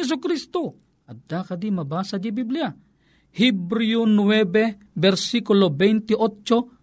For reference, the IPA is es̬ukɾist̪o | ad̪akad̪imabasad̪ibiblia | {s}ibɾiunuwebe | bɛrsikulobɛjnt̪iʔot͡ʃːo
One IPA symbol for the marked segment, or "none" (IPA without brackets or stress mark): h